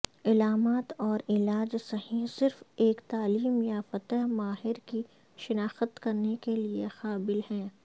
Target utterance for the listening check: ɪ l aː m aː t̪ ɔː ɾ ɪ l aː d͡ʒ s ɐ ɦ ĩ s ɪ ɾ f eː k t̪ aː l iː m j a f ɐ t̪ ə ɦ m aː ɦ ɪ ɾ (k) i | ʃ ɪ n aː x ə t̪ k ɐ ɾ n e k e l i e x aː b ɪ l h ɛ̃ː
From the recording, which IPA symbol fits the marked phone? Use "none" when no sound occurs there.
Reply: k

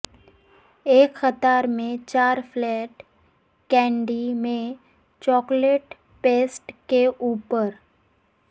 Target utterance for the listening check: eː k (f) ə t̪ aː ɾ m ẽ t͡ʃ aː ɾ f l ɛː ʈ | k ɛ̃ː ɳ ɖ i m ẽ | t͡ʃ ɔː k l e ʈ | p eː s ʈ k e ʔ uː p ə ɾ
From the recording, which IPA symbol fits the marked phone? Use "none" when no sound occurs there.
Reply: x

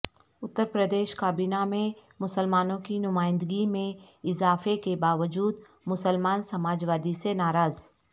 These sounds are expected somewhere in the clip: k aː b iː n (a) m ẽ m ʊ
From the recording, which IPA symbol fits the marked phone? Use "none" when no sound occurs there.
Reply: a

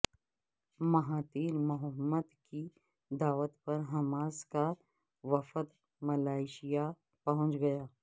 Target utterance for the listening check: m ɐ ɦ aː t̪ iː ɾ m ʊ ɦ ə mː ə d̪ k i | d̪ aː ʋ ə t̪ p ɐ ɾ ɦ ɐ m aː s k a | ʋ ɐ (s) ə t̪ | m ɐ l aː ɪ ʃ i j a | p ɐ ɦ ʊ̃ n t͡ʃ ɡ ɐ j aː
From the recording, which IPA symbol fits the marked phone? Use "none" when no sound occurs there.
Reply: f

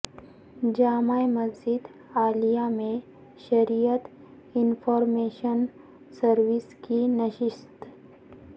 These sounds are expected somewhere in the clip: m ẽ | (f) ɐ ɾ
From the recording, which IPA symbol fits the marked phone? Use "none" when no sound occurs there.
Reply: ʃ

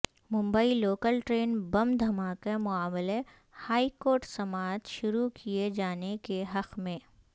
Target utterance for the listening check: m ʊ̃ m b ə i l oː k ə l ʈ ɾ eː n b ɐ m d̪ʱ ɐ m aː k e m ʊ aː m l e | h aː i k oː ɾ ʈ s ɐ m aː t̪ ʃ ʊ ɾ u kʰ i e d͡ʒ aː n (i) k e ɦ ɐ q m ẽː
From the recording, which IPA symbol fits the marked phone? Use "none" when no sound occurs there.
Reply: e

